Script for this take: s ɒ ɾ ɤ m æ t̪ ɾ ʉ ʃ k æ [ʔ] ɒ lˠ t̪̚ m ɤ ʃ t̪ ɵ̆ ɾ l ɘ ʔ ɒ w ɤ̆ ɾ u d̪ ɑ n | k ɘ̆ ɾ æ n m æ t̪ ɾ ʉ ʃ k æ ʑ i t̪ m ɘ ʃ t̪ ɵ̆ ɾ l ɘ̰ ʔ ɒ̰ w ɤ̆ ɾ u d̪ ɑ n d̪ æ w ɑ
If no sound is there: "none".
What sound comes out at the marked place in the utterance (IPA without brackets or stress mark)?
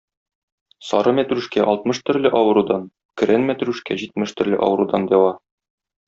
ʔ